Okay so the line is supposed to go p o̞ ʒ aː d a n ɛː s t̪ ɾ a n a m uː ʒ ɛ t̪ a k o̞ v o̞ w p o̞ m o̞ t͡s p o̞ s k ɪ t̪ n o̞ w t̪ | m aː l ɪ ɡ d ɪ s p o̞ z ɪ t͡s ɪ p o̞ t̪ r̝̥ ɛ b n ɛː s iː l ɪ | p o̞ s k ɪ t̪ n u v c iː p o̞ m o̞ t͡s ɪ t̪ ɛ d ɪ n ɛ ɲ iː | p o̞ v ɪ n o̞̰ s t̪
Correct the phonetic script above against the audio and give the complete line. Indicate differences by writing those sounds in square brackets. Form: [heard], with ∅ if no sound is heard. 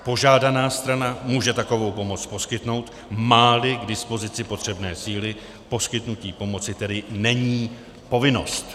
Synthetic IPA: p o̞ ʒ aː d a n [aː] s t̪ ɾ a n a m uː ʒ ɛ t̪ a k o̞ v o̞ w p o̞ m o̞ t͡s p o̞ s k ɪ t̪ n o̞ w t̪ | m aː l ɪ ɡ d ɪ s p o̞ z ɪ t͡s ɪ p o̞ t̪ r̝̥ ɛ b n ɛː s iː l ɪ | p o̞ s k ɪ t̪ n u [∅] c iː p o̞ m o̞ t͡s ɪ t̪ ɛ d ɪ n ɛ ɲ iː | p o̞ v ɪ n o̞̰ s t̪